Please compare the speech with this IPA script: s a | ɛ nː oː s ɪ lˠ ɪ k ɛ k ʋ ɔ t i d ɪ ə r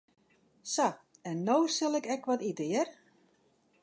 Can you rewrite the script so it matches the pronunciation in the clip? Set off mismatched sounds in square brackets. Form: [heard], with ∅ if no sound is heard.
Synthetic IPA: s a | ɛ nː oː s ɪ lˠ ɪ k ɛ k ʋ ɔ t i d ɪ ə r